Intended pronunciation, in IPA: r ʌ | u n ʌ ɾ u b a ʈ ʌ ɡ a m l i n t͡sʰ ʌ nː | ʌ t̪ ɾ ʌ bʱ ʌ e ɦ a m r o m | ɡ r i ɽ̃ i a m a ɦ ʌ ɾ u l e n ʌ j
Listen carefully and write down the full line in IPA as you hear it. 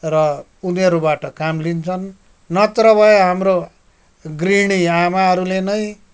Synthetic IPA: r ʌ | u n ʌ ɾ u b a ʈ ʌ k a m l i n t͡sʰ ʌ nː | ʌ t̪ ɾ ʌ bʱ ʌ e ɦ a m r o | ɡ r i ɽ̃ i a m a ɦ ʌ ɾ u l e n ʌ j